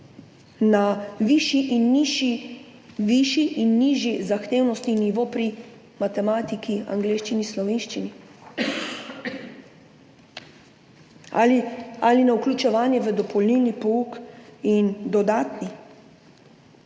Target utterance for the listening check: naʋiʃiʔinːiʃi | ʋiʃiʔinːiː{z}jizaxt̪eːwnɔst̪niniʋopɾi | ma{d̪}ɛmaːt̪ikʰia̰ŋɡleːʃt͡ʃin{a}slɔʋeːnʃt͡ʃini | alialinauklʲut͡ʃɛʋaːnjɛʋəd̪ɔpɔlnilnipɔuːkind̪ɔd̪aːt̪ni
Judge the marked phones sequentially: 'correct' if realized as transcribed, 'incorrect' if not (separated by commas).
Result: incorrect, incorrect, incorrect